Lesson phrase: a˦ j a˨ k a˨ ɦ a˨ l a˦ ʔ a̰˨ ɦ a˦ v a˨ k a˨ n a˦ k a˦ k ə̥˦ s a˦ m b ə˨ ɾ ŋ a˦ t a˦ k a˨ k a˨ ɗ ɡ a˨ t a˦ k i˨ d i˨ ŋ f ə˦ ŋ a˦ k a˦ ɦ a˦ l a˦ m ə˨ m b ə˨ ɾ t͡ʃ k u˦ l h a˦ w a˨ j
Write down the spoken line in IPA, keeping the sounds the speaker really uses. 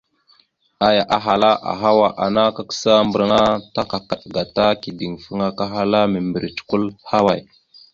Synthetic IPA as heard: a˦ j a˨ ʔ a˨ ɦ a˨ l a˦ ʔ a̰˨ ɦ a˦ w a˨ ʔ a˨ n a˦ k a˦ k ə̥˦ s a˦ m b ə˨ ɾ ŋ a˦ t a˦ k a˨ k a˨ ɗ ɡ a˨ t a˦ k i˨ d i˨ ŋ f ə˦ ŋ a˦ k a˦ ɦ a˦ l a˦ m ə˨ m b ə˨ ɾ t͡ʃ k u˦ l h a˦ w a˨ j